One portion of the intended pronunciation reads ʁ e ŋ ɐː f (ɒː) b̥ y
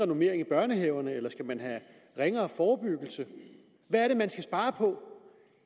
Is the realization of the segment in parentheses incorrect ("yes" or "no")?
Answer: no